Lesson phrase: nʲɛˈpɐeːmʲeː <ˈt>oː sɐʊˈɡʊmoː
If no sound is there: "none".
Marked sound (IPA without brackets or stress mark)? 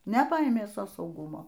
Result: s